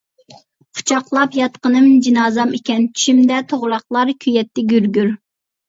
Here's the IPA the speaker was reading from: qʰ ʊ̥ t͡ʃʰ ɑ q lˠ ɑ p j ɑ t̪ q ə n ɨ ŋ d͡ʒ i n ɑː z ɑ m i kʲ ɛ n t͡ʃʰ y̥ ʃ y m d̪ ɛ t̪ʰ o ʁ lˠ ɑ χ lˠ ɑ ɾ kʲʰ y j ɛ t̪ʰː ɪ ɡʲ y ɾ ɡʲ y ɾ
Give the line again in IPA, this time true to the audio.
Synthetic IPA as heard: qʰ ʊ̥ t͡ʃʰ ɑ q lˠ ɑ p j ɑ t̪ q ə n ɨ m d͡ʒ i n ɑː z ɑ m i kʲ ɛ n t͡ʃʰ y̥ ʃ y m d̪ ɛ t̪ʰ o ʁ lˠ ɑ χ lˠ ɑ ɾ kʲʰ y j ɛ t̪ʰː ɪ ɡʲ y ɾ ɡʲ y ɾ

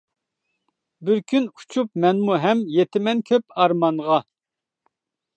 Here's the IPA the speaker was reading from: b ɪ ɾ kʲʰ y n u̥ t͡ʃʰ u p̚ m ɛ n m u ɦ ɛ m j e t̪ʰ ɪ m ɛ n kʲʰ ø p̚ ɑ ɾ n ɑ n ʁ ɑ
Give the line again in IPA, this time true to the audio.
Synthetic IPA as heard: b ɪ ɾ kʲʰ y n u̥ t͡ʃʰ u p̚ m ɛ n m u ɦ ɛ m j e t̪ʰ ɪ m ɛ n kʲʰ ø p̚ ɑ ɾ m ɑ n ʁ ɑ

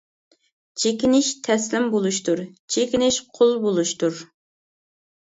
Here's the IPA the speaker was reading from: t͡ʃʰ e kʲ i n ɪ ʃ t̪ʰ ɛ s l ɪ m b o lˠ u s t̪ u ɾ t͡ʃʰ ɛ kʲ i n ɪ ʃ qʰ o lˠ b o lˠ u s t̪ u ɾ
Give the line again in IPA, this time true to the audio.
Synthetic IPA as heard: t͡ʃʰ e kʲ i n ɪ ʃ t̪ʰ ɛ s l ɪ m b o lˠ u ʃ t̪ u ɾ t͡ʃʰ e kʲ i n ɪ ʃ qʰ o lˠ b o lˠ u ʃ t̪ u ɾ

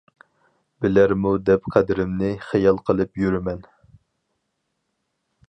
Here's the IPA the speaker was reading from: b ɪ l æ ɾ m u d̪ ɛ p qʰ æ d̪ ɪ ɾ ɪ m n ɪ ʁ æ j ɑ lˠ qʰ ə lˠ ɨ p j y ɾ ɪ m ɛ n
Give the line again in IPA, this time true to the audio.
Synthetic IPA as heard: b ɪ l æ ɾ m u d̪ ɛ p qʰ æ d̪ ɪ ɾ ɪ m n ɪ χ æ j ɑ lˠ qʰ ə lˠ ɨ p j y ɾ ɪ m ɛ n

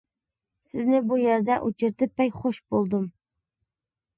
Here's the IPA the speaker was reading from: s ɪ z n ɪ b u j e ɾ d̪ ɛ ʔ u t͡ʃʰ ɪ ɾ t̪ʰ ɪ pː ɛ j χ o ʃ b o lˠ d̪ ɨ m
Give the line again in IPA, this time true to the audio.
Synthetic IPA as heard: s ɪ z n ɪ b u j e ɾ d̪ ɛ ʔ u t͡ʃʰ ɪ ɾ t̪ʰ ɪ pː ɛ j χ o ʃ b o lˠ d̪ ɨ m

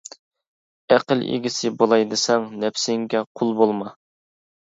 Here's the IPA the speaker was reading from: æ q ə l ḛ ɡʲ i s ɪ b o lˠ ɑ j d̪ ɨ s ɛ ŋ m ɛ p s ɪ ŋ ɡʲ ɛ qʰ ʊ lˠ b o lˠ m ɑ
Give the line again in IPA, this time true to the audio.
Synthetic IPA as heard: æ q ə l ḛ ɡʲ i s ɪ b o lˠ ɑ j d̪ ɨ s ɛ ŋ n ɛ p s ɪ ŋ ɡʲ ɛ qʰ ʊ lˠ b o lˠ m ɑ

